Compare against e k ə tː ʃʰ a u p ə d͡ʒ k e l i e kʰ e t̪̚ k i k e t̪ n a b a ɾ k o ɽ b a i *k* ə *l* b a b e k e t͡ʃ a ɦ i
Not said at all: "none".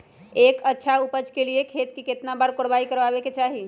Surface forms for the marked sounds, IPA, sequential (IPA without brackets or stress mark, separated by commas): k, ɾ